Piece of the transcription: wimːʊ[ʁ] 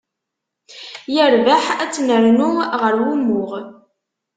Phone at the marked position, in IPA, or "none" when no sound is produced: ʁ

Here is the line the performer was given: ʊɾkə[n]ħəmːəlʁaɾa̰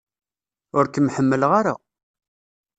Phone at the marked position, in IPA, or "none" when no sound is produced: m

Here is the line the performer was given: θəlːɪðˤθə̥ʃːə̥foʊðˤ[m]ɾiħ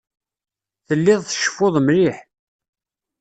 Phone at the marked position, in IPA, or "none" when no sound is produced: m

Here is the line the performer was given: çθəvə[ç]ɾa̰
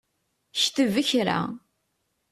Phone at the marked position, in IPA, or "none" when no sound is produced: ç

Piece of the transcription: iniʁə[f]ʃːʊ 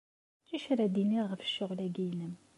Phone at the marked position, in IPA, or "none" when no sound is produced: f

